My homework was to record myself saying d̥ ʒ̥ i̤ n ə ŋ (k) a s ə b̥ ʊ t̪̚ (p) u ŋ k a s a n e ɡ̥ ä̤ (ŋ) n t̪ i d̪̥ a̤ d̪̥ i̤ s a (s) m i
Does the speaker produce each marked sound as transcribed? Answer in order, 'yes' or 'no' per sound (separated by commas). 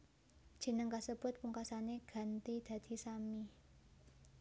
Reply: yes, yes, no, no